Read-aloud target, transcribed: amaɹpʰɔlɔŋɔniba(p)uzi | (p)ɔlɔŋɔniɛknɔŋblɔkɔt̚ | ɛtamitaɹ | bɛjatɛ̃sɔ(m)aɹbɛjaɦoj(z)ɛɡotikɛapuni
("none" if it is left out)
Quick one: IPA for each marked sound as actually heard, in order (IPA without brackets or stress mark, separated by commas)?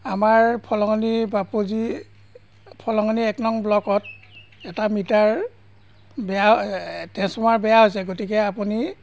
p, pʰ, m, s